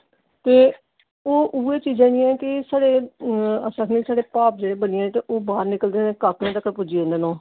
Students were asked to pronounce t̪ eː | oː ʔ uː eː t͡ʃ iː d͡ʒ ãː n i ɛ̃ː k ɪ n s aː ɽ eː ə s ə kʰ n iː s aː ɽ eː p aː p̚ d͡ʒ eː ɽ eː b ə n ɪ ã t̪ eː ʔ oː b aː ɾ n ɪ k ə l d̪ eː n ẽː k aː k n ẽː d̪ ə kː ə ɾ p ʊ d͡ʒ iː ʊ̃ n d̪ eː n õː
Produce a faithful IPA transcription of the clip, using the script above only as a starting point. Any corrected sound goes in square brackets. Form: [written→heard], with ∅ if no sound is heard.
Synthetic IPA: t̪ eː | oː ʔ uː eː t͡ʃ iː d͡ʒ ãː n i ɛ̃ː k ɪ [n→∅] s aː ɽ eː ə s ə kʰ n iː s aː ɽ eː p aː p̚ d͡ʒ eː ɽ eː b ə n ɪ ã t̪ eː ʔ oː b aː ɾ n ɪ k ə l d̪ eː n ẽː k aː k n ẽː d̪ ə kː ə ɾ p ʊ d͡ʒ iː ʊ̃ n d̪ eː n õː